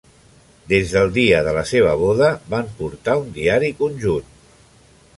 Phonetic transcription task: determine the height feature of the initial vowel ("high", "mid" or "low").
mid